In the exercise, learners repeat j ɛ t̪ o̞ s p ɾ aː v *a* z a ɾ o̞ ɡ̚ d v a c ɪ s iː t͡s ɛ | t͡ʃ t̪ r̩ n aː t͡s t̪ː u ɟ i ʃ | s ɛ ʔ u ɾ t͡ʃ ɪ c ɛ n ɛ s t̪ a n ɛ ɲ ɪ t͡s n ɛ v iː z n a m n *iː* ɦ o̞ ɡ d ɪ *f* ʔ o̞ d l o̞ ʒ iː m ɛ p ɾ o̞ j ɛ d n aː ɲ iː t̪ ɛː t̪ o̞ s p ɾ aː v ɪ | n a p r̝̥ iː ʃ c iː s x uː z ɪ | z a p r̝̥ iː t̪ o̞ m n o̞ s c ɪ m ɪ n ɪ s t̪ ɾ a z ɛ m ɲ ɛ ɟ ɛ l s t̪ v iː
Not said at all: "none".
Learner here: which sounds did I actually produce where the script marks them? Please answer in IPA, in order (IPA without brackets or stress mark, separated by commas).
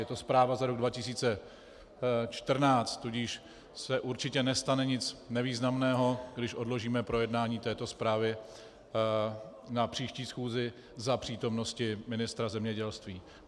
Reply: a, ɛː, ʃ